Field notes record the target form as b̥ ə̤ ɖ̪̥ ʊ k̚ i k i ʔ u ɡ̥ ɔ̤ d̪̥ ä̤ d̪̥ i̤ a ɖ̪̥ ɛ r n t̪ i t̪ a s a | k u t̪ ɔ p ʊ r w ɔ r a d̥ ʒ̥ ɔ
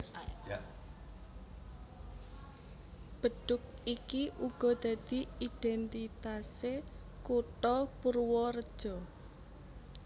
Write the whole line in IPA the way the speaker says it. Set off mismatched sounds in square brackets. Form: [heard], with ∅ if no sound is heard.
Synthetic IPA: b̥ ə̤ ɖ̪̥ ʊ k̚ i k i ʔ u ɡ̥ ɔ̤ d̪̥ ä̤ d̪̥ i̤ [i] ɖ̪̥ ɛ [∅] n t̪ i t̪ a s [e] | k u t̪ ɔ p [u] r w ɔ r [ə] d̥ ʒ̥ ɔ

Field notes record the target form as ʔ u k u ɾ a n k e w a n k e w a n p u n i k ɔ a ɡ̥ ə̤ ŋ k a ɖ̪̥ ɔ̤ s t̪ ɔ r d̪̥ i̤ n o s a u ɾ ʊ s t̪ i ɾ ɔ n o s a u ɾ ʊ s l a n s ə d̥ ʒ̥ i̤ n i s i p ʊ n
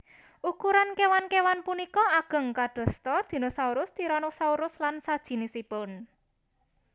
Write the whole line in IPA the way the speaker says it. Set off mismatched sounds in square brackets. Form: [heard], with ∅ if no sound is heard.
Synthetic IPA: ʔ u k u ɾ a n k e w a n k e w a n p u n i k ɔ a ɡ̥ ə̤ ŋ k a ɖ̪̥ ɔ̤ s t̪ ɔ r d̪̥ i̤ n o s a u ɾ ʊ s t̪ i ɾ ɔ n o s a u ɾ ʊ s l a n s [a] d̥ ʒ̥ i̤ n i s i p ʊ n

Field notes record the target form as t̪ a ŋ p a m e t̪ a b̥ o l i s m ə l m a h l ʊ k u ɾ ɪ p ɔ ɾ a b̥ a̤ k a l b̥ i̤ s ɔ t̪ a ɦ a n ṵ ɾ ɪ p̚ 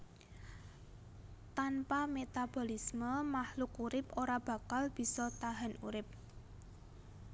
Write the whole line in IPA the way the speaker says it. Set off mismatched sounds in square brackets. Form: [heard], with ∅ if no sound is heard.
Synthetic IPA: t̪ a [n] p a m e t̪ a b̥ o l i s m ə [∅] m a h l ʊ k u ɾ ɪ p [o] ɾ a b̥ a̤ k a l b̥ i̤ s ɔ t̪ a ɦ a n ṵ ɾ ɪ p̚

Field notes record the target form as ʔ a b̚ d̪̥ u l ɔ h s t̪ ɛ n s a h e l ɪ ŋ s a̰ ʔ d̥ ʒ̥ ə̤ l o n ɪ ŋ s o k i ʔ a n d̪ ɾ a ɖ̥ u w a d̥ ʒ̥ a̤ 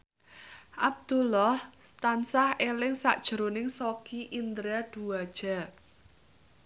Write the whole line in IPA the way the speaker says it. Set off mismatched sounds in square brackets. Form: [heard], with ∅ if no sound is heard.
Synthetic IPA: ʔ a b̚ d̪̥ u l ɔ h s t̪ [a] n s a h e l ɪ ŋ s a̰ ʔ d̥ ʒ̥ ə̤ [ɾ] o n ɪ ŋ s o k i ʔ [i] n d̪ ɾ a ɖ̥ u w a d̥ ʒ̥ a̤

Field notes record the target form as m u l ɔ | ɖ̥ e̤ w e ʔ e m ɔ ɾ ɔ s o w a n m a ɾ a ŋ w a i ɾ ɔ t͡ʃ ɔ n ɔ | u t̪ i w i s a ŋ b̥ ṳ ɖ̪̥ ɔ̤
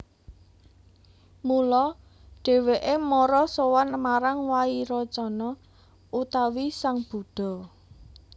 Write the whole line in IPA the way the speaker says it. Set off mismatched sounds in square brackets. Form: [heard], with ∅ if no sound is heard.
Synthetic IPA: m u l ɔ | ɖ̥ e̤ w e ʔ e m ɔ ɾ ɔ s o w a n m a ɾ a ŋ w a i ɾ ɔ t͡ʃ ɔ n ɔ | u t̪ [a] w i s a ŋ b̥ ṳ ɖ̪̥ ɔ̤

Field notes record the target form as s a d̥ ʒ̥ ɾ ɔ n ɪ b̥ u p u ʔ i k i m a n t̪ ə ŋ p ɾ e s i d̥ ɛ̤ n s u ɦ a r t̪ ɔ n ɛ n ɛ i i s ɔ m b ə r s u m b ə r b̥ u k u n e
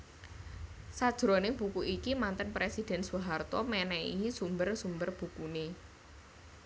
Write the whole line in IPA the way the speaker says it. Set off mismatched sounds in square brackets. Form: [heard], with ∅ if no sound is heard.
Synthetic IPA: s a d̥ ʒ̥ ɾ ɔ n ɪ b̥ u [k] u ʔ i k i m a n t̪ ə [n] p ɾ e s i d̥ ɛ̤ n s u ɦ a r t̪ ɔ [m] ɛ n ɛ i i s [u] m b ə r s u m b ə r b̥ u k u n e

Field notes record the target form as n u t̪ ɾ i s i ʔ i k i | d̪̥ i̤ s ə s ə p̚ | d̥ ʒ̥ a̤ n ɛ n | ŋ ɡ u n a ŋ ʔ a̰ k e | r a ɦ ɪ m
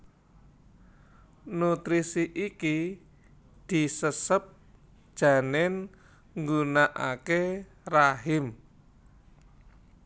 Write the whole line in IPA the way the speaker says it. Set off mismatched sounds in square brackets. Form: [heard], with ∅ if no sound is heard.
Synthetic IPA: n u t̪ ɾ i s i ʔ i k i | d̪̥ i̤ s ə s ə p̚ | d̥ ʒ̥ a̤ n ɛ n | ŋ ɡ u n a [∅] ʔ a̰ k e | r a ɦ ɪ m

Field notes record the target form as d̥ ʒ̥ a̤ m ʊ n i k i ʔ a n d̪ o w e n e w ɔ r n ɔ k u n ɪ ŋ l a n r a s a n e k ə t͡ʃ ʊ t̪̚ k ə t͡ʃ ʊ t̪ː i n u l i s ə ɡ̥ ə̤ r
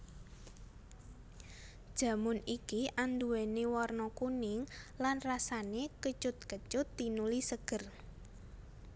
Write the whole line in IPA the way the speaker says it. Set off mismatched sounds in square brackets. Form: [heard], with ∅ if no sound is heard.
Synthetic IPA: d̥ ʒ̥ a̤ m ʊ n i k i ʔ a n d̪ [u] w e n e w ɔ r n ɔ k u n ɪ ŋ l a n r a s a n e k ə t͡ʃ ʊ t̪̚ k ə t͡ʃ ʊ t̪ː i n u l i s ə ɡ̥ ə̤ r

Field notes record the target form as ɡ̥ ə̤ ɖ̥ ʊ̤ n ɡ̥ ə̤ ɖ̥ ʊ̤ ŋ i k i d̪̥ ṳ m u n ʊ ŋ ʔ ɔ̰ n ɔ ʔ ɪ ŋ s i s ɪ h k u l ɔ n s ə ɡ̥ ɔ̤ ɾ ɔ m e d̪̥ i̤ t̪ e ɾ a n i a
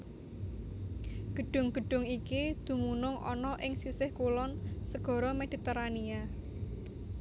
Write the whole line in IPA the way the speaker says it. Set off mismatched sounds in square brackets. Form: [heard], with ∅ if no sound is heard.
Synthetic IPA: ɡ̥ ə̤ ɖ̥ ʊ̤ [ŋ] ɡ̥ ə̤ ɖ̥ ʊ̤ ŋ i k i d̪̥ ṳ m u n ʊ ŋ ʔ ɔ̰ n ɔ ʔ ɪ ŋ s i s ɪ h k u l ɔ n s ə ɡ̥ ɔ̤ ɾ ɔ m e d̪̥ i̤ t̪ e ɾ a n i a

